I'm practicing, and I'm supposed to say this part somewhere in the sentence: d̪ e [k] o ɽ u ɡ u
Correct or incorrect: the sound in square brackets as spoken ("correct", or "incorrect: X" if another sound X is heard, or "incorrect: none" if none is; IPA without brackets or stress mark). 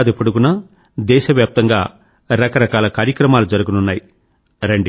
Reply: incorrect: p